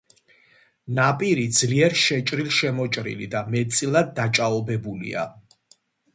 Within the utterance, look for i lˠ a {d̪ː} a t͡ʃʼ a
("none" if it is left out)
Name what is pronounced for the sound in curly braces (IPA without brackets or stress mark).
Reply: d̪ː